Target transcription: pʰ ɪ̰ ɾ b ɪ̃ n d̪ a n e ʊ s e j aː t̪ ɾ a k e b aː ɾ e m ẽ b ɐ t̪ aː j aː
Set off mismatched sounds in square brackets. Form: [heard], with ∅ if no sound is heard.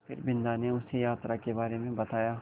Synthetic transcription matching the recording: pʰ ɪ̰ ɾ b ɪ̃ n d̪ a n e ʊ s e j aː t̪ ɾ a k e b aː ɾ e m ẽ b ɐ t̪ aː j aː

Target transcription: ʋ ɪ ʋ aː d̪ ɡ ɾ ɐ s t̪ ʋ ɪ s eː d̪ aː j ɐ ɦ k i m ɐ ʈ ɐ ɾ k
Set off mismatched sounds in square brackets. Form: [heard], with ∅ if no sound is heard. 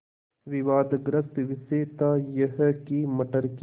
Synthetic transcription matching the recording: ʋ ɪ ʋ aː d̪ ɡ ɾ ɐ s t̪ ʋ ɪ s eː [t̪] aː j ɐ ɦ k i m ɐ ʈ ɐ ɾ k

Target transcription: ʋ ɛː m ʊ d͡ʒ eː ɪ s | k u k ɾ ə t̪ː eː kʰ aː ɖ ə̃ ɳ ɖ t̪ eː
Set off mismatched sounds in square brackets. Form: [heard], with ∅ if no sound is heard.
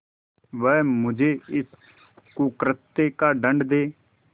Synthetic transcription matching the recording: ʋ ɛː m ʊ d͡ʒ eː ɪ s | k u k ɾ ə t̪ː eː [k] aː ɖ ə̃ ɳ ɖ [d̪] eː

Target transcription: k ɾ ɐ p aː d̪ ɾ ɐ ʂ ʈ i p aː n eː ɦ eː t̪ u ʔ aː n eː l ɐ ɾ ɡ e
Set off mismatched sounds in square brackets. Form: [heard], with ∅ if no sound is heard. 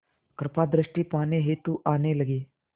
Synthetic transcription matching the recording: k ɾ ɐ p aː d̪ ɾ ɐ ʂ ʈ i p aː n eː ɦ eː t̪ u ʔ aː n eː l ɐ [∅] ɡ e

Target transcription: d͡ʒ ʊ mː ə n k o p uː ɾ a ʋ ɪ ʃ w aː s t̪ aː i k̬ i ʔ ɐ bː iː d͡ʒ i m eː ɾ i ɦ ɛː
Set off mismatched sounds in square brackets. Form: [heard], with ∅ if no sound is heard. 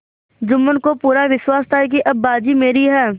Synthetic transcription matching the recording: d͡ʒ ʊ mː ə n k o p uː ɾ a ʋ ɪ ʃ w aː s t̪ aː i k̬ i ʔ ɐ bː [aː] d͡ʒ i m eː ɾ i ɦ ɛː

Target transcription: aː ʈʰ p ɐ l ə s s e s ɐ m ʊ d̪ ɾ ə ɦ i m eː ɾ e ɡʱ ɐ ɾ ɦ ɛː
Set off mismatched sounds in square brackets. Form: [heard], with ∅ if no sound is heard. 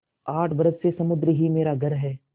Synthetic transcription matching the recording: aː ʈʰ [b] ɐ [ɾ] ə s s e s ɐ m ʊ d̪ ɾ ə ɦ i m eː ɾ [a] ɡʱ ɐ ɾ ɦ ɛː

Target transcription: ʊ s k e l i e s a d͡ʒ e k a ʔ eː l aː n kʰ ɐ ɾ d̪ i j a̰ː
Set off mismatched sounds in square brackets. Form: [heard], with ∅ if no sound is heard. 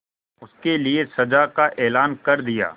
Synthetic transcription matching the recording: ʊ s k e l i e s [ɐ] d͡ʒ [a] k a ʔ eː l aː n [k] ɐ ɾ d̪ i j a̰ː

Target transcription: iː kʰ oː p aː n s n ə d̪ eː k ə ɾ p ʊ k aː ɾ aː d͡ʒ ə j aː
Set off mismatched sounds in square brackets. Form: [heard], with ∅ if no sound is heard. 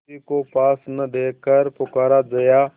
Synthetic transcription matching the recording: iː [k] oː p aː [∅] s n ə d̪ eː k ə ɾ p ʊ k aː ɾ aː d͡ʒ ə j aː

